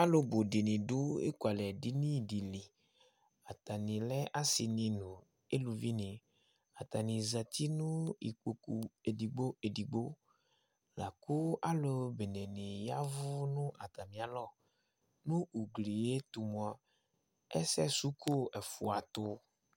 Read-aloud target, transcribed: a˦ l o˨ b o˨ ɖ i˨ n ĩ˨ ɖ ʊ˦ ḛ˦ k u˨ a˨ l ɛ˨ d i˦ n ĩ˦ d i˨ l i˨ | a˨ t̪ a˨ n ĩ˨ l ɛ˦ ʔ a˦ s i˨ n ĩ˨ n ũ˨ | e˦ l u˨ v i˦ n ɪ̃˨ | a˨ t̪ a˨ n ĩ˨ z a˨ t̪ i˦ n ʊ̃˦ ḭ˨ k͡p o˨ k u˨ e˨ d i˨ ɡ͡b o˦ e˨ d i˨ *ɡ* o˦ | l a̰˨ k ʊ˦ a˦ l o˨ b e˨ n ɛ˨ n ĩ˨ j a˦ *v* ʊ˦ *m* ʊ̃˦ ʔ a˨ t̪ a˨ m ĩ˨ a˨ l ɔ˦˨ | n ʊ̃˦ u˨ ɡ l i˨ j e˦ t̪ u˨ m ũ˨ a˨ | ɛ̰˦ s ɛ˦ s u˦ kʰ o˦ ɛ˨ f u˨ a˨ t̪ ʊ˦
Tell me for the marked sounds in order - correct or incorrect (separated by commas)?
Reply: incorrect, correct, incorrect